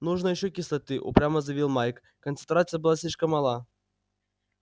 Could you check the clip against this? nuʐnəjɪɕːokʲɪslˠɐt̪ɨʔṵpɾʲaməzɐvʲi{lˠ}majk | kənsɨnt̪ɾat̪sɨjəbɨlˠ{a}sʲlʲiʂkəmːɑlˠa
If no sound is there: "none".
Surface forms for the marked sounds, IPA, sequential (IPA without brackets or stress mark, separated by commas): lˠ, a